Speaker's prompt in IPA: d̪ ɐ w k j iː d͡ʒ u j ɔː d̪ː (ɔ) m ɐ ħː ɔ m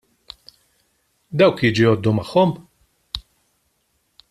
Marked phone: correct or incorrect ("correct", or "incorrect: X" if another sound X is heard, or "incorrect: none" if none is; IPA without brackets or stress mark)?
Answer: incorrect: u